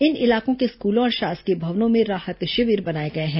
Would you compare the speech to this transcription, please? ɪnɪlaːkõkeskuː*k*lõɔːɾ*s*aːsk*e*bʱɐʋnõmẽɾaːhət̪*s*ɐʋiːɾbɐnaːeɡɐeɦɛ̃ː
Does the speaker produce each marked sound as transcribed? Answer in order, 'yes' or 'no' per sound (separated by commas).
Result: no, no, yes, no